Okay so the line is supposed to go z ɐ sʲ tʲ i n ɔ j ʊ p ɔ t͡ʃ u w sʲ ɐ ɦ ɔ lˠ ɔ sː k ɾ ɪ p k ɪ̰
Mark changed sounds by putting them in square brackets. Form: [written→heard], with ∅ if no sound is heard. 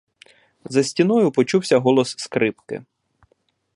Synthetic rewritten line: z ɐ sʲ tʲ i n ɔ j ʊ p ɔ t͡ʃ u w sʲ ɐ ɦ ɔ lˠ ɔ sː k ɾ ɪ p k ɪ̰